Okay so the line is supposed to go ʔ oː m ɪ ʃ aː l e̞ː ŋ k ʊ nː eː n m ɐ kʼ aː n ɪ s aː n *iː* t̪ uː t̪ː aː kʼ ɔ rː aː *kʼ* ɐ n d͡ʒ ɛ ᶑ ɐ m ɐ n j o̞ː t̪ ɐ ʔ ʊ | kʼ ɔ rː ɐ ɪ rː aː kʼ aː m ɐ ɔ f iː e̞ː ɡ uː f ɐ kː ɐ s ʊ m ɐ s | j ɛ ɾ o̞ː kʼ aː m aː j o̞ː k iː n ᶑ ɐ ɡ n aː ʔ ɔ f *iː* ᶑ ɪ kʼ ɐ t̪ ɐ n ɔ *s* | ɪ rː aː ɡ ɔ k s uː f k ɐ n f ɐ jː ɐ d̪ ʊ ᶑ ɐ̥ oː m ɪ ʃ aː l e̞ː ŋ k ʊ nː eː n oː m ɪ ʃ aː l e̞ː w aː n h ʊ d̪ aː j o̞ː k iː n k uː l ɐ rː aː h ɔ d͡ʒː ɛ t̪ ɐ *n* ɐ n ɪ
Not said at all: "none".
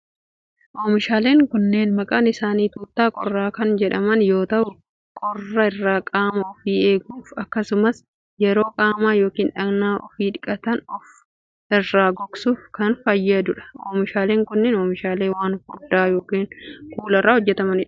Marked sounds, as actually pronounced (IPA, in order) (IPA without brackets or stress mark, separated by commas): iː, k, iː, f, m